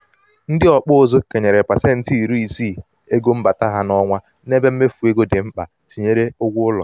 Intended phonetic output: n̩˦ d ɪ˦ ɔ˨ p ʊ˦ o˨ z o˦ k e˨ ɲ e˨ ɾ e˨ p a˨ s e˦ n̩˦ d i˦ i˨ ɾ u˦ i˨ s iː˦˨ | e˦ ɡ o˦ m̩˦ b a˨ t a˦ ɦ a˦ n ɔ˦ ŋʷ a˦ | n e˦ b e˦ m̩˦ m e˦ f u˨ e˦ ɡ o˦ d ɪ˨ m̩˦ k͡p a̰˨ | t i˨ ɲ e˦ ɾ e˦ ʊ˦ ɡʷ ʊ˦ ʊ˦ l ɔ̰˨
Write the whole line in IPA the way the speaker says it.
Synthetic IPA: n̩˦ d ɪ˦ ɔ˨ k͡p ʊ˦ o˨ z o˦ k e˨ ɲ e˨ ɾ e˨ p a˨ s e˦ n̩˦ t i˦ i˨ ɾ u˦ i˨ s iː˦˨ | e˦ ɡ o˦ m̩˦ b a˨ t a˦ ɦ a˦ n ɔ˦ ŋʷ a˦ | n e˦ b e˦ m̩˦ m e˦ f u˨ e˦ ɡ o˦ d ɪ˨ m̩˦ k͡p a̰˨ | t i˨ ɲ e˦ ɾ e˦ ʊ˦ ɡʷ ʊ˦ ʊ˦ l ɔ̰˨

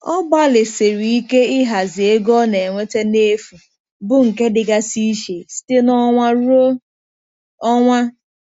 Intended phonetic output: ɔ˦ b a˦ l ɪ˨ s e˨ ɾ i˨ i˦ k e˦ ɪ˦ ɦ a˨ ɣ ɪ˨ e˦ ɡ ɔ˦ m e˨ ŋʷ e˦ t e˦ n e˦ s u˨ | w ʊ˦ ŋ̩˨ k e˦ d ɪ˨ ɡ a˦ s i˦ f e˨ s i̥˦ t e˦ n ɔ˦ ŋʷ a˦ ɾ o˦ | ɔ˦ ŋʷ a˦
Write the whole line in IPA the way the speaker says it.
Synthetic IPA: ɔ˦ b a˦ l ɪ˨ s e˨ ɾ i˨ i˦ k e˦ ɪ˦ ɦ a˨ z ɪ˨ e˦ ɡ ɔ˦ n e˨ ŋʷ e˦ t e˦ n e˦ f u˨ | b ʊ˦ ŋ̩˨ k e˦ d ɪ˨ ɡ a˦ s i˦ ʃ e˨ s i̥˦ t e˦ n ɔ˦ ŋʷ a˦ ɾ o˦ | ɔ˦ ŋʷ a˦

